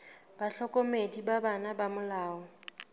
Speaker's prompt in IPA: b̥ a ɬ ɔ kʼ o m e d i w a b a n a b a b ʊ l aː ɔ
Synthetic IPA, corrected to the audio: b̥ a ɬ ɔ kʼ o m e d i b a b a n a b a m ʊ l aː ɔ